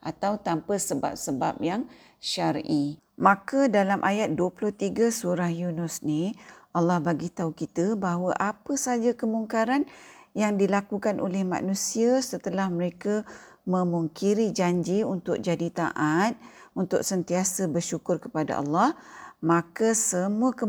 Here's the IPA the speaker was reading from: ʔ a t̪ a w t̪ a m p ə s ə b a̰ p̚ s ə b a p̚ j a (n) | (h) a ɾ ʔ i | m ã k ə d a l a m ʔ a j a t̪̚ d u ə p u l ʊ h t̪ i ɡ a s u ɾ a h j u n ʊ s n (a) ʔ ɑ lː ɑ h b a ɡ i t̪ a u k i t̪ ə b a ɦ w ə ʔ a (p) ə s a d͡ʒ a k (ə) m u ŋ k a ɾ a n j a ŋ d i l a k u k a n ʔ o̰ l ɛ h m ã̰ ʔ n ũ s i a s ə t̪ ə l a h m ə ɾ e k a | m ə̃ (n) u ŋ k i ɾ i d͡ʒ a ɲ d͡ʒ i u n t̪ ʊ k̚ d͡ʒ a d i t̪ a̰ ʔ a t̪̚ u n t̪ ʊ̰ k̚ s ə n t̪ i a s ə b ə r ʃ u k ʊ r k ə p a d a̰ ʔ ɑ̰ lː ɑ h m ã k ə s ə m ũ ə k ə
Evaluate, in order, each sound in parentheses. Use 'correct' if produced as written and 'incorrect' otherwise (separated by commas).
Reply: incorrect, incorrect, incorrect, correct, correct, incorrect